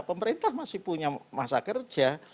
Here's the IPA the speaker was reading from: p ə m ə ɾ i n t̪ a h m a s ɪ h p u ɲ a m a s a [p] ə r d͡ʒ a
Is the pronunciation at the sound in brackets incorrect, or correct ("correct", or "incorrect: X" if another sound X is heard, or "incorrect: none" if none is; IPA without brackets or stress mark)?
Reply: incorrect: k